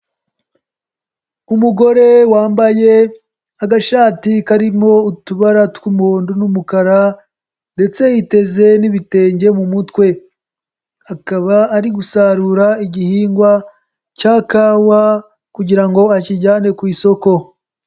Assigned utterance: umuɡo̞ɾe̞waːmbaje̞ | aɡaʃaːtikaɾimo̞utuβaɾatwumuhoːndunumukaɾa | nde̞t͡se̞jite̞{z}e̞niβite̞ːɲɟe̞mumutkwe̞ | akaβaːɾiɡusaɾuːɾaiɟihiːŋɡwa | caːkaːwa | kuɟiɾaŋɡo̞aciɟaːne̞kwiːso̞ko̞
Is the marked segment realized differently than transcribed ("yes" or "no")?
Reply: no